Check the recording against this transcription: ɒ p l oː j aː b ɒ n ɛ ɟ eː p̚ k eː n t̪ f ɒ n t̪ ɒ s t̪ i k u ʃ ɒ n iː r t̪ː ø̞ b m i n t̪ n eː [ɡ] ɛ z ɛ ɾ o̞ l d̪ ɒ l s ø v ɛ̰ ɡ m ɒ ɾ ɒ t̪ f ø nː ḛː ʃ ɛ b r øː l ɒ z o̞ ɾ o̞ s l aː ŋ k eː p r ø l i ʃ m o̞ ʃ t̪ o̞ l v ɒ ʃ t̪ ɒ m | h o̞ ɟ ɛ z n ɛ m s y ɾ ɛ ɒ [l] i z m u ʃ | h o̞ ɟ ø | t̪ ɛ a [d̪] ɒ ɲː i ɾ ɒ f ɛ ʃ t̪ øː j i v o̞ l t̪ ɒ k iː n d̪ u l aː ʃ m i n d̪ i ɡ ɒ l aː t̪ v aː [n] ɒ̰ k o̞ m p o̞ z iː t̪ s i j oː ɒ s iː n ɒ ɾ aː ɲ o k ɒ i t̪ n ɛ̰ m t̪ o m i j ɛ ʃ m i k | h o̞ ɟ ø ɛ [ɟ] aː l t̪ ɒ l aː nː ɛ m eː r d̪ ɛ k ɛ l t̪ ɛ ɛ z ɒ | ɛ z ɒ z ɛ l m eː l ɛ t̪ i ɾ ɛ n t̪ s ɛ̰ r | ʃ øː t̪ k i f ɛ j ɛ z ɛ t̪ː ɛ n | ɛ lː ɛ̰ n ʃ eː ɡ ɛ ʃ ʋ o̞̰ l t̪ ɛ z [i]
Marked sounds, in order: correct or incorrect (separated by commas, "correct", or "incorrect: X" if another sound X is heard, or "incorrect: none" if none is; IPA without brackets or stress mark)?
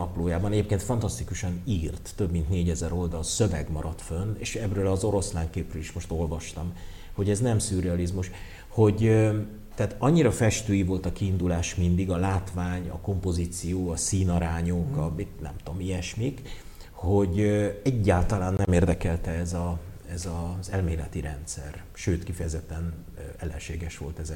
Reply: incorrect: ɟ, correct, incorrect: t̪, incorrect: ɲ, incorrect: ɟː, incorrect: ɛ